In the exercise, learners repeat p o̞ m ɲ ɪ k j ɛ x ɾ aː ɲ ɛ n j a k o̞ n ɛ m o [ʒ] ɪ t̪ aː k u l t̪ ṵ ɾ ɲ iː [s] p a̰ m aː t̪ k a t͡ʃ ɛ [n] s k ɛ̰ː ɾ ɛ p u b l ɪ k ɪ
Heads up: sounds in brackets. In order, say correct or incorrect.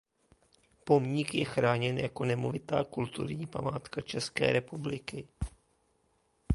incorrect: v, incorrect: none, incorrect: none

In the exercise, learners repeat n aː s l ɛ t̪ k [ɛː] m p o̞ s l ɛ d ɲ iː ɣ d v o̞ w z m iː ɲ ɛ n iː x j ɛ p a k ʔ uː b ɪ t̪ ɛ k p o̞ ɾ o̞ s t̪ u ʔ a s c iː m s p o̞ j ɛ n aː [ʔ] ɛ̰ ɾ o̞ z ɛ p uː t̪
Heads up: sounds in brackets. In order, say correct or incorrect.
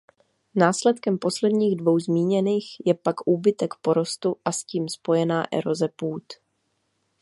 incorrect: ɛ, correct

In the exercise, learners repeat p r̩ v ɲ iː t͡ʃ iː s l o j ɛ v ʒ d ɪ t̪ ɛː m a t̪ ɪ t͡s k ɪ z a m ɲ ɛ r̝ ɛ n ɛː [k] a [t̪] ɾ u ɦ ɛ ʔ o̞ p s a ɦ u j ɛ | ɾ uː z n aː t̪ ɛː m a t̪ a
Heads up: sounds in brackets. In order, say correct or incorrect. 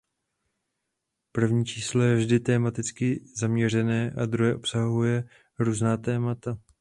incorrect: ʔ, incorrect: d̪

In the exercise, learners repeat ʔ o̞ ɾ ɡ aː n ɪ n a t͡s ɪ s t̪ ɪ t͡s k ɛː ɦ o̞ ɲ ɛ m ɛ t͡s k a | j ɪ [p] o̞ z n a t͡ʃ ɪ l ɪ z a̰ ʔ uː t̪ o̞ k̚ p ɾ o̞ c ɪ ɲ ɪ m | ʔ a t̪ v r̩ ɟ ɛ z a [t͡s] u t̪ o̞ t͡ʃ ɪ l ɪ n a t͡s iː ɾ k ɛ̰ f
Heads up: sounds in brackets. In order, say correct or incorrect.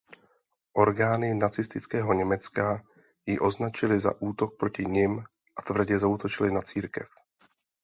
incorrect: ʔ, incorrect: none

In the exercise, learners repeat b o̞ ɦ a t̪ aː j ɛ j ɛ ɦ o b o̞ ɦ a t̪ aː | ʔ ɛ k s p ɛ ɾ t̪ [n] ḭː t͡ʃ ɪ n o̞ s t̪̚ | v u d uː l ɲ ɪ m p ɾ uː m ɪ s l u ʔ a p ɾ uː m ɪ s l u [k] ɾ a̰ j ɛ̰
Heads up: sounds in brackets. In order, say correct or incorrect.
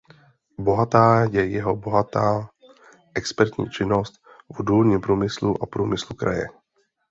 incorrect: ɲ, correct

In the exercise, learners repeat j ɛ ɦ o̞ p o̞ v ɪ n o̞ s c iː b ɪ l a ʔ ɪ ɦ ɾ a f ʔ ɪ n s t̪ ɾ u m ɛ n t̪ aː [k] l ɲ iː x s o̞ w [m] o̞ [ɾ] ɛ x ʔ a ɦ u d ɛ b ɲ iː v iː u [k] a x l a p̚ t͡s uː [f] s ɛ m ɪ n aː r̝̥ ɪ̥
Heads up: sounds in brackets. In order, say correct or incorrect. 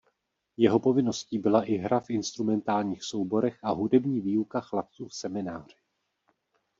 incorrect: none, incorrect: b, correct, correct, correct

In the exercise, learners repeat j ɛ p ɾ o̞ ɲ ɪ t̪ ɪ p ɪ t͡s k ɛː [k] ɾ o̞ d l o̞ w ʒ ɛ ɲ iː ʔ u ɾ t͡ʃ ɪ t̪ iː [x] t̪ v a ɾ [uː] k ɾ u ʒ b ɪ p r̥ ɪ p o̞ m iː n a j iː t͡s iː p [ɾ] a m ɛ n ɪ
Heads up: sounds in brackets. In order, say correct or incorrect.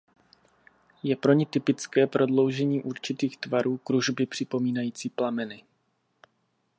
incorrect: p, correct, correct, incorrect: l

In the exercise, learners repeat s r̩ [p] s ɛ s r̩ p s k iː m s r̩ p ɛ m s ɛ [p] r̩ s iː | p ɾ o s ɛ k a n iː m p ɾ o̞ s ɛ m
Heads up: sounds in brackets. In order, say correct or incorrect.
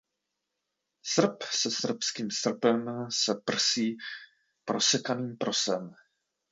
correct, correct

